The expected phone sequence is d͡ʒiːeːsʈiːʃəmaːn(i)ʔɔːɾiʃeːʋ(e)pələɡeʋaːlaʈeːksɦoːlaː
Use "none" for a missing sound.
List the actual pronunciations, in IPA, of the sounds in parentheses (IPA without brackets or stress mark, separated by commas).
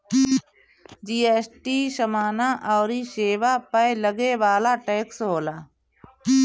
a, a